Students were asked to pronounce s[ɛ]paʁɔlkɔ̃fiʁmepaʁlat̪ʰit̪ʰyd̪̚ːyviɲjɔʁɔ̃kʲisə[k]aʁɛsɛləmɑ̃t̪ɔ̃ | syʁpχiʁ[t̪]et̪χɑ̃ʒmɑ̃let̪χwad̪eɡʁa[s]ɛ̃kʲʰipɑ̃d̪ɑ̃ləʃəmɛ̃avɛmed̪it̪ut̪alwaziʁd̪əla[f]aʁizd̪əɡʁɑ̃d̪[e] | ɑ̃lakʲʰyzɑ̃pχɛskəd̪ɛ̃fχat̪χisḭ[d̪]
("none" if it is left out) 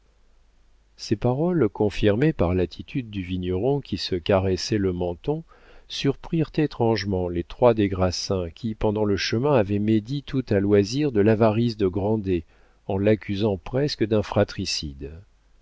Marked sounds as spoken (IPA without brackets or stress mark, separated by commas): e, k, t̪, s, v, e, d̪